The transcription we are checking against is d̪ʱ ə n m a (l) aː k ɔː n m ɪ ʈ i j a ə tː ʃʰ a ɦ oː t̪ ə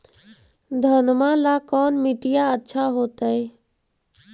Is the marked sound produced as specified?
yes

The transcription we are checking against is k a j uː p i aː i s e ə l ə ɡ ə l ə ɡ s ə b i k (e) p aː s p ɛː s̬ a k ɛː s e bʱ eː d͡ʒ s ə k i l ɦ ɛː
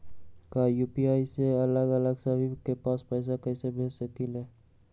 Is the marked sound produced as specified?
yes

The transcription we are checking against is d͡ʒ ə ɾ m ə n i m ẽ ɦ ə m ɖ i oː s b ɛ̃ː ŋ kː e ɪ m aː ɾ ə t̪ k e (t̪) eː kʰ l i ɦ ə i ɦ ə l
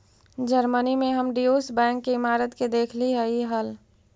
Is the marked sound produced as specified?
no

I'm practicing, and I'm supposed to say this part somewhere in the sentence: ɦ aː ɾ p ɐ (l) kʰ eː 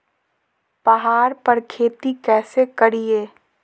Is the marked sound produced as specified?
no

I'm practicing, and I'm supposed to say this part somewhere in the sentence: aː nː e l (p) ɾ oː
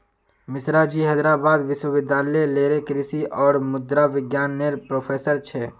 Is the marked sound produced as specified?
yes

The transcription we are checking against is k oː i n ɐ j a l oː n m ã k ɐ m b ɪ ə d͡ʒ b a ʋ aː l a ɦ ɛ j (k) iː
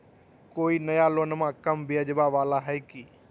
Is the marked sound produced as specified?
yes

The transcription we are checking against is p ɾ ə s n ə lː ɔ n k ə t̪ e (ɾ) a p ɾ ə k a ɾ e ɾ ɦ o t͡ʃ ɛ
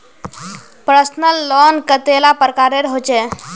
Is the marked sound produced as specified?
no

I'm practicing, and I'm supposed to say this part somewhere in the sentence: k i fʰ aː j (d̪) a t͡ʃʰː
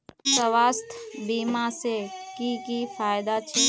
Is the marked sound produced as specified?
yes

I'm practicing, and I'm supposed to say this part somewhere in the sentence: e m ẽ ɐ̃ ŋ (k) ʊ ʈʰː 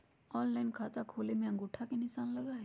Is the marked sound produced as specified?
no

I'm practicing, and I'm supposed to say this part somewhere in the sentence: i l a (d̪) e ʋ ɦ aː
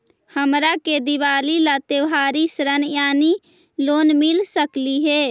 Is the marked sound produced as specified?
no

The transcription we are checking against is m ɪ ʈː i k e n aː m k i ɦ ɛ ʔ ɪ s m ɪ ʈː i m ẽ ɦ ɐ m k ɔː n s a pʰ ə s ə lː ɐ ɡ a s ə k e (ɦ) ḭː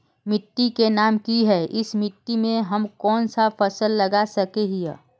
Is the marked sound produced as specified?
yes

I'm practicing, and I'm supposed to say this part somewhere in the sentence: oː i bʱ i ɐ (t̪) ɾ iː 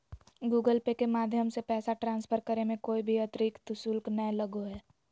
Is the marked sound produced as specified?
yes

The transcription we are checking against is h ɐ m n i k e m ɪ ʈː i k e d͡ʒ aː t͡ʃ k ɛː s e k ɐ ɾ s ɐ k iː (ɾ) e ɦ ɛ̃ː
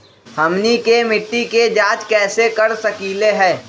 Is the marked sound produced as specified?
no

